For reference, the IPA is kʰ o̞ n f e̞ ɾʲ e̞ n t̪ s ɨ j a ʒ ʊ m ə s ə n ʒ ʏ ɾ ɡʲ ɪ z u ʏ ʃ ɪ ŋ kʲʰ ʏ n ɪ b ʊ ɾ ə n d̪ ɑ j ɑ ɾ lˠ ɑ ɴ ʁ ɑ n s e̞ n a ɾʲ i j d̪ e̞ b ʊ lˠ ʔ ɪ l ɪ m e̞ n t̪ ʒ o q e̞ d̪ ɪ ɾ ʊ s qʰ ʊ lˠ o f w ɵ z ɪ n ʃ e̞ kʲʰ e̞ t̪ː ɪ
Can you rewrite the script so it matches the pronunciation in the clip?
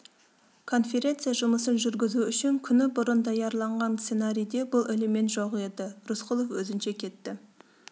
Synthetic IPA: kʰ o̞ n f e̞ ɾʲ e̞ n t̪ s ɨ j a ʒ ʊ m ə s ə n ʒ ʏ ɾ ɡʲ ɪ z u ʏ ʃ ɪ ŋ kʲʰ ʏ n ɪ b ʊ ɾ ə n d̪ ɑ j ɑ ɾ lˠ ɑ ɴ ʁ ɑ n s e̞ n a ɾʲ i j d̪ e̞ b ʊ lˠ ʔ ɪ l ɪ m e̞ n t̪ ʒ o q e̞ d̪ ɪ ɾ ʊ s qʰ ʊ lˠ o f w ɵ z ɪ n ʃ e̞ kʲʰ e̞ t̪ː ɪ